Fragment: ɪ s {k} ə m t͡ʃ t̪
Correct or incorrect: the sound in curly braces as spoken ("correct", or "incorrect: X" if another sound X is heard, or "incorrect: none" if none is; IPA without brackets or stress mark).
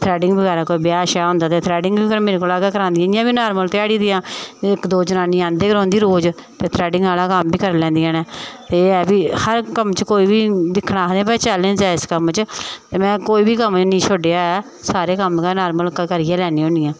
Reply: correct